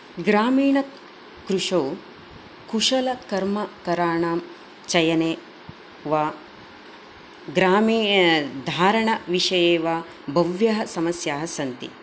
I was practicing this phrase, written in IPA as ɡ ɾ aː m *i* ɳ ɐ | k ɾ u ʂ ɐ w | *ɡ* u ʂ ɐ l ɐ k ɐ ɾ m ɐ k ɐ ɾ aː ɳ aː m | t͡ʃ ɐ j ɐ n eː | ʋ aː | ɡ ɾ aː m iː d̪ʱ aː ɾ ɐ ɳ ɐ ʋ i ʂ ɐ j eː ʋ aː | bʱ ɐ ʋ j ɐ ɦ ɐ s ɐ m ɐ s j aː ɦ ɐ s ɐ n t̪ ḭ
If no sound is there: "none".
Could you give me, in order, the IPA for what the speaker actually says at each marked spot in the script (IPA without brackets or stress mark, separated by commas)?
iː, k